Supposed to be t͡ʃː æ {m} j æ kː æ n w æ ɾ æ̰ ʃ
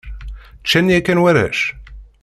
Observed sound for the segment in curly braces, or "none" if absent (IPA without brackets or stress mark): n